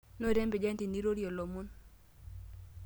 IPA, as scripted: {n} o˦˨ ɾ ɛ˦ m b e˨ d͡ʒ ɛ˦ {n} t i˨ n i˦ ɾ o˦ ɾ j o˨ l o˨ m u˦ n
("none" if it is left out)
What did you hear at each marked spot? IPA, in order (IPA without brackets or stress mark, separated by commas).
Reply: n, n